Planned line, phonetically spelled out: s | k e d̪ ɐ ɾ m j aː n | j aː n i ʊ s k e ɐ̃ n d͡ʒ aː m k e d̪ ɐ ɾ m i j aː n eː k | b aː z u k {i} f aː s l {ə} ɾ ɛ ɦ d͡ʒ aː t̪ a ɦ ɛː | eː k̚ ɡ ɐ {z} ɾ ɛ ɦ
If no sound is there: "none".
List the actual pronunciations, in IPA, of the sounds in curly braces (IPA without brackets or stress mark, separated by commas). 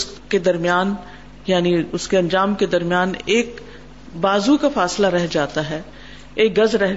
a, a, z